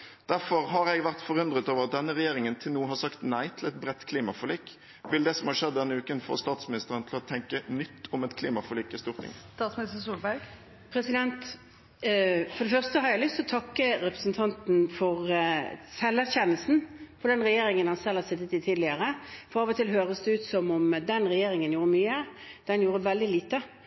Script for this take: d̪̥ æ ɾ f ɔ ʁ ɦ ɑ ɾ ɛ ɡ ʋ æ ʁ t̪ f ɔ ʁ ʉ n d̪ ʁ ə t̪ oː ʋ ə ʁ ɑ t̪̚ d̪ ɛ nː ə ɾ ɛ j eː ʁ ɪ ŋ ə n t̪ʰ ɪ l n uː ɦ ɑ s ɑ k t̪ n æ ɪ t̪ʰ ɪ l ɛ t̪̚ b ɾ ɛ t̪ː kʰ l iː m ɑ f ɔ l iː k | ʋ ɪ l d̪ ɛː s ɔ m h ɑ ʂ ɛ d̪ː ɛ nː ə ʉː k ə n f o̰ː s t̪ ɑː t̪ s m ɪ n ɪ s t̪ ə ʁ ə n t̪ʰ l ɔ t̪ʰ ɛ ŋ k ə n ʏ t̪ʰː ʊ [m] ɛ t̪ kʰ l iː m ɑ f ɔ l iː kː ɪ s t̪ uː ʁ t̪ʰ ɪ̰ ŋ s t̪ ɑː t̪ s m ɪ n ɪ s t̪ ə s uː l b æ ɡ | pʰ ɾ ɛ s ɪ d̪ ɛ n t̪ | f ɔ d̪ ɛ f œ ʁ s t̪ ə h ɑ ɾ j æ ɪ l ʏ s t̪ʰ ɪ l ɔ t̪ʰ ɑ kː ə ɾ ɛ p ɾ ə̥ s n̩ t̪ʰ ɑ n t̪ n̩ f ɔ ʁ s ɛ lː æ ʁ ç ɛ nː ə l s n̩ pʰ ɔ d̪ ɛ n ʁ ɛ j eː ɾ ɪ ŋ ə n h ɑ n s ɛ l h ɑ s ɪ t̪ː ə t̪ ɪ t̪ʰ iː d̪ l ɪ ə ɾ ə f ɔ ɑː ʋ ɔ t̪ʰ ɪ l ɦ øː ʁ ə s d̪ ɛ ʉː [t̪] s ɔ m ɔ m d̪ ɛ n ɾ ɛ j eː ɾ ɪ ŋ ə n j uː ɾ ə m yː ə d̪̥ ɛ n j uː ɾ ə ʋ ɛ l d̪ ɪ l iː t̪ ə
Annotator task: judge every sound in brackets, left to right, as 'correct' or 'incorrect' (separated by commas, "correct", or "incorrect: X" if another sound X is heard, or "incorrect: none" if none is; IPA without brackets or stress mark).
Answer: correct, correct